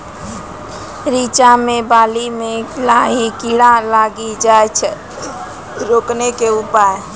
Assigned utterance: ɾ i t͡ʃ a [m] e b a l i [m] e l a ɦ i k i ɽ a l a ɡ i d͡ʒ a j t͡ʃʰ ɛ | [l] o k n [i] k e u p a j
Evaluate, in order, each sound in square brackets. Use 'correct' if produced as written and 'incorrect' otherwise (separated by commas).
correct, correct, incorrect, incorrect